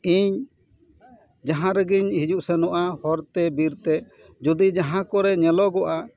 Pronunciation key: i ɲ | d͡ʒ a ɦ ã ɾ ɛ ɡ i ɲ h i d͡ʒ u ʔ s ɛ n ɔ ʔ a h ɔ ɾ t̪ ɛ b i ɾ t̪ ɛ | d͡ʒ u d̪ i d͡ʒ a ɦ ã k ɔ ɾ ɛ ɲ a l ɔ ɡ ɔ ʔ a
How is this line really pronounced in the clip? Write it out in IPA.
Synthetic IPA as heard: i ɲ | d͡ʒ a ɦ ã ɾ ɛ ɡ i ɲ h i d͡ʒ u ʔ s ɛ n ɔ ʔ a h ɔ ɾ t̪ ɛ b i ɾ t̪ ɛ | d͡ʒ u d̪ i d͡ʒ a ɦ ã k ɔ ɾ ɛ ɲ ɛ l ɔ ɡ ɔ ʔ a